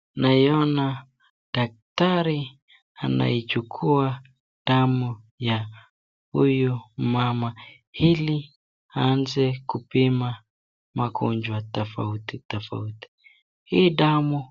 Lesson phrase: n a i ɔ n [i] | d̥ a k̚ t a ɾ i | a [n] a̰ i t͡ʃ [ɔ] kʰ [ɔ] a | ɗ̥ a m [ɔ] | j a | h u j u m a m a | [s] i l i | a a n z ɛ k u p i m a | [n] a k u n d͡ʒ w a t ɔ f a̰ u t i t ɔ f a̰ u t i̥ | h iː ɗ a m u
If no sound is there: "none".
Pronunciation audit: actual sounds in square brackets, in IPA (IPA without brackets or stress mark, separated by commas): a, n, u, u, u, h, m